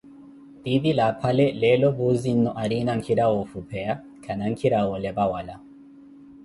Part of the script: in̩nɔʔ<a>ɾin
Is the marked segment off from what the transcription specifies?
no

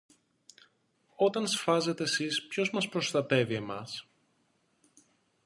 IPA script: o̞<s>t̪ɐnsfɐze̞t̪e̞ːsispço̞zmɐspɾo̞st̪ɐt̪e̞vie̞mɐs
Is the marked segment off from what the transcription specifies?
yes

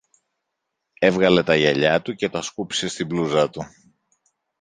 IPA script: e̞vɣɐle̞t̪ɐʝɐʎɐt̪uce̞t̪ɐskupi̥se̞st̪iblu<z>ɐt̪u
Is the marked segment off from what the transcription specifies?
no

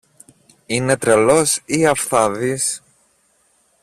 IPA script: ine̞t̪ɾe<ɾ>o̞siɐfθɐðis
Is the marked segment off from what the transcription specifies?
yes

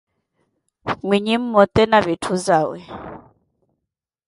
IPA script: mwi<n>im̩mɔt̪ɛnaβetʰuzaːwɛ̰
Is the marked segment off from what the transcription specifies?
yes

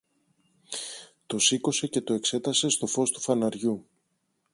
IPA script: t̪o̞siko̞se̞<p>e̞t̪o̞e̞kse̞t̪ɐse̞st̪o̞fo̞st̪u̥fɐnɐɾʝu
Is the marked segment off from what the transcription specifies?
yes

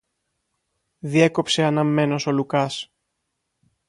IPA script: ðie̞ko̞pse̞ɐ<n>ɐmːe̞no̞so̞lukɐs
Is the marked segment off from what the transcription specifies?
no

